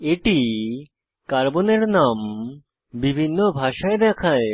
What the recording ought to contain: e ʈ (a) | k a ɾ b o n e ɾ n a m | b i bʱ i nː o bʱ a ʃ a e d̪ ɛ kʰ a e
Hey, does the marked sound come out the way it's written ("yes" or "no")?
no